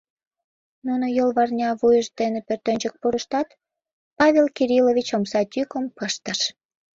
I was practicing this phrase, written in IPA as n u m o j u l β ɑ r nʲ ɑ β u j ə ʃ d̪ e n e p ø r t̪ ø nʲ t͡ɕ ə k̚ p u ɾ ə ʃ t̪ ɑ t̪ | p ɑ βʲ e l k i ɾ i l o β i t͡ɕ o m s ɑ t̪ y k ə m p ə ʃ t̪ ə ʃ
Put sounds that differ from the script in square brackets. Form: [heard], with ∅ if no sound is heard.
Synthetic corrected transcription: n u [n] o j [o] l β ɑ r nʲ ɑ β u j ə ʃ d̪ e n e p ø r t̪ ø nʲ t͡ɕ ə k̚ p u ɾ ə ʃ t̪ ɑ t̪ | p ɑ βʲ e l k i ɾ i l o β i t͡ɕ o m s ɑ t̪ y k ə m p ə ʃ t̪ ə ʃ